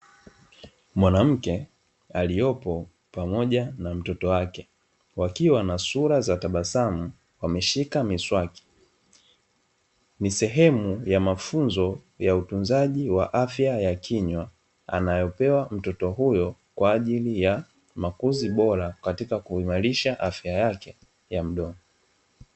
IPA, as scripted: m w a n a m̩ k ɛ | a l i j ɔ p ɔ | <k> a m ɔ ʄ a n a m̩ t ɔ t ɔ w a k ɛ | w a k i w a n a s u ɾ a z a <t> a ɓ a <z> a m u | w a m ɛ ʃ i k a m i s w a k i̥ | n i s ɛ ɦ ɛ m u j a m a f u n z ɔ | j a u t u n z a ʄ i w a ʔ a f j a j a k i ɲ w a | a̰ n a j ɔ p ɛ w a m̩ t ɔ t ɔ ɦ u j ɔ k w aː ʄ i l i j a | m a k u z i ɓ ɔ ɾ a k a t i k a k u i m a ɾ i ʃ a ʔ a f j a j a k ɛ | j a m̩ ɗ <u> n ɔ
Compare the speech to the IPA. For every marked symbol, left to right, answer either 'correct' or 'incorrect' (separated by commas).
incorrect, correct, incorrect, incorrect